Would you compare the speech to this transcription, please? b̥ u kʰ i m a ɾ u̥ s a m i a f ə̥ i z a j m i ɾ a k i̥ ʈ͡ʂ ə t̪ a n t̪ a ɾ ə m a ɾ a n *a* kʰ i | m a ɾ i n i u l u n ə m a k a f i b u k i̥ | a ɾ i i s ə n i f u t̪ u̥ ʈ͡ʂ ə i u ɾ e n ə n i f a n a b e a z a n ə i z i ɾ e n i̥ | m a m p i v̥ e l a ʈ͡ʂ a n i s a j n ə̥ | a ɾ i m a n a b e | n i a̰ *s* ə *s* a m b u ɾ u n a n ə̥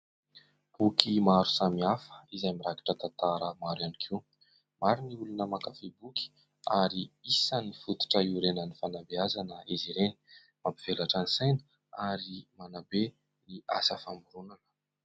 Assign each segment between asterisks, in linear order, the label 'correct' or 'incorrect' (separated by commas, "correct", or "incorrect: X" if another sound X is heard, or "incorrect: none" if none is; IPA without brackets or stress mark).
incorrect: i, correct, incorrect: f